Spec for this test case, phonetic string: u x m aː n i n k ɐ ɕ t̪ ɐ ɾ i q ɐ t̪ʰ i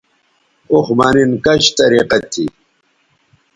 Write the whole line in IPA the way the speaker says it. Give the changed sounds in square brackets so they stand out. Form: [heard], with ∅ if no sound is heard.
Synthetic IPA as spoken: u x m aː n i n k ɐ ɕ t̪ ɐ ɾ i q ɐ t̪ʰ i